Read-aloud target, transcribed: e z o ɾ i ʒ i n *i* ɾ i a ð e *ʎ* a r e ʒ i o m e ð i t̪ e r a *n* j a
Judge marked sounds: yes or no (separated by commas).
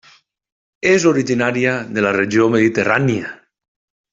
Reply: no, no, yes